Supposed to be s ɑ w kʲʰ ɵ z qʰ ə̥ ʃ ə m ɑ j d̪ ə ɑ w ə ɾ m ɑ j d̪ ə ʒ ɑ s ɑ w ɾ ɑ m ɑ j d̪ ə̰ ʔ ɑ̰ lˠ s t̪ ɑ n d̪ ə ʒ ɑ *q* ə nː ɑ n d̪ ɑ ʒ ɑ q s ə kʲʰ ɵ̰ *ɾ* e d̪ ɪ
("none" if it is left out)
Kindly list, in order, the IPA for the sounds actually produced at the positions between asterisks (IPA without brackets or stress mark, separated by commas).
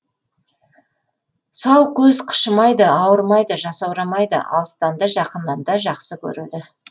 q, ɾ